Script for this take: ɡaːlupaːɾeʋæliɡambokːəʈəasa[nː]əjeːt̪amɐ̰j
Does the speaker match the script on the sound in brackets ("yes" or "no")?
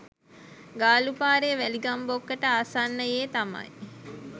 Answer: yes